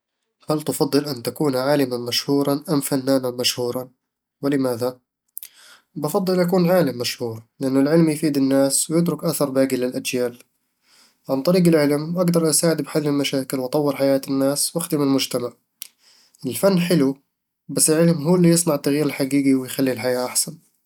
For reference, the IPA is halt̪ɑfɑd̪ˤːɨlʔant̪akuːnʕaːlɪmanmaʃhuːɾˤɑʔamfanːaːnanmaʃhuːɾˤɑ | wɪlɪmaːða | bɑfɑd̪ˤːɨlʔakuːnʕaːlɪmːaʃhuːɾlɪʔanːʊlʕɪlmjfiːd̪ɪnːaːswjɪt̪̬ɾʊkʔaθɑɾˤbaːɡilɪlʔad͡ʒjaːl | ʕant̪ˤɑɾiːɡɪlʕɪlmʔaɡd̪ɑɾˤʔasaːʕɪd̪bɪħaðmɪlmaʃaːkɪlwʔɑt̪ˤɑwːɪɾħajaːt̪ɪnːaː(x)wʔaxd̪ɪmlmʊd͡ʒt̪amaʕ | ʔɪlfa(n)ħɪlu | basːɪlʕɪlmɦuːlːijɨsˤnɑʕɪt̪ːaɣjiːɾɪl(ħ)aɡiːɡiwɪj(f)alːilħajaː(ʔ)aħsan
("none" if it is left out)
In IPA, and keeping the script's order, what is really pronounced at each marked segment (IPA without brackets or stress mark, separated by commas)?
s, nː, ħ, x, ʔ